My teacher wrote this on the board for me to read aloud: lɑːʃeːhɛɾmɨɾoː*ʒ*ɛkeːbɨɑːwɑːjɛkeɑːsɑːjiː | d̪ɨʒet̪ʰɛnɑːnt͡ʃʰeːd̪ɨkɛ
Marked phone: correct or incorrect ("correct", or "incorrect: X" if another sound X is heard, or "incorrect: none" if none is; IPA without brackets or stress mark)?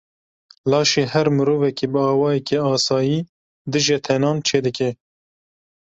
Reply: incorrect: v